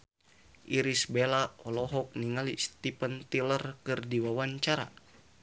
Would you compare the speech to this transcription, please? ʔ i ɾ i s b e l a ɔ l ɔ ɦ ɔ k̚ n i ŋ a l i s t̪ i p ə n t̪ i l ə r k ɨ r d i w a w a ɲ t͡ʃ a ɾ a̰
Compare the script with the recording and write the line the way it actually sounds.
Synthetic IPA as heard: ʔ i ɾ i s b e l a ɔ l ɔ ɦ ɔ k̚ n i ŋ a l i s t̪ i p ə n t̪ i l ə r k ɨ r d i w a w a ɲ t͡ʃ a ɾ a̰